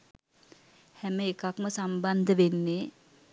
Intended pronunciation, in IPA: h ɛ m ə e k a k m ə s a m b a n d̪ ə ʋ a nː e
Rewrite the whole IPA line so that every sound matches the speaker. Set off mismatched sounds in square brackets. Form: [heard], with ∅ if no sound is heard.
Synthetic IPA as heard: h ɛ m ə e k a k m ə s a m b a n d̪ ə ʋ [e] nː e